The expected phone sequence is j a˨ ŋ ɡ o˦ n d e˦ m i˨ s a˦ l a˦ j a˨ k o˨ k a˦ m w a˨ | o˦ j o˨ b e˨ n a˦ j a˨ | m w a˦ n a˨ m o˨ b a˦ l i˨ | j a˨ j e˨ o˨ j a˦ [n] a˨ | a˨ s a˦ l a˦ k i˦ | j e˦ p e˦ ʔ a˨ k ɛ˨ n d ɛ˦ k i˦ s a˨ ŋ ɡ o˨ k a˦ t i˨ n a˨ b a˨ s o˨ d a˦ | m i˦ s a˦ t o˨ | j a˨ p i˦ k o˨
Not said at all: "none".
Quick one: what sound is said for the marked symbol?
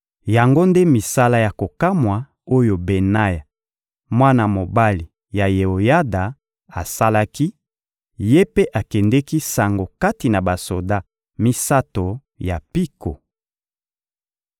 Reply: d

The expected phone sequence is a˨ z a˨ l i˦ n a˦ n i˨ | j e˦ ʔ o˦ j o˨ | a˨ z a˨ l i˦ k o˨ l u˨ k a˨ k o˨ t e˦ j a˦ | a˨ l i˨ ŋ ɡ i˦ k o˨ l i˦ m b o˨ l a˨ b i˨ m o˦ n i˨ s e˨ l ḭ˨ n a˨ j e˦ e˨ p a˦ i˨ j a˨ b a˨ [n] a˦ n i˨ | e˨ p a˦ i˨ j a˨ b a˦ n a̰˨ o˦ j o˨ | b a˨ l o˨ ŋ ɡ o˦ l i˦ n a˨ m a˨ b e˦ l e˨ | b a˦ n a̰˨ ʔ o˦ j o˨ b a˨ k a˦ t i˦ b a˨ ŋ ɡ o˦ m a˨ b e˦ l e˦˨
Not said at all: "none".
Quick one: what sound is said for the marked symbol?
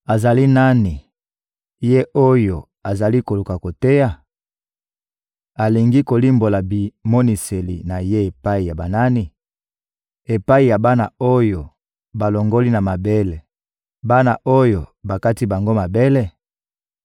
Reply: n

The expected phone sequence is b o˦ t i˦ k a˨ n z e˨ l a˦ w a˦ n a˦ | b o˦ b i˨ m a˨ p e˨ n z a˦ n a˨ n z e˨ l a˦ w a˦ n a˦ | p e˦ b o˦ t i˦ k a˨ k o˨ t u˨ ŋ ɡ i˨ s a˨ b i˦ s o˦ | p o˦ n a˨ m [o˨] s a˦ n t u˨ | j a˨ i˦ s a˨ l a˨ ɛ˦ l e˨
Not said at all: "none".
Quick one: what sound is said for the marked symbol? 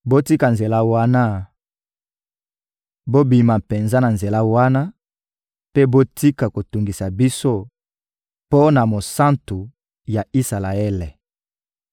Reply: o˨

